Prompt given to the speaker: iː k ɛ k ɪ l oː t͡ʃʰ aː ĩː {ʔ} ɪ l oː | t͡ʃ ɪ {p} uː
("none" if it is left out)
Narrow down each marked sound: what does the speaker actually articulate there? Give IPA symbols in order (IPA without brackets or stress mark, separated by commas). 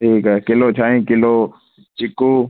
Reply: k, k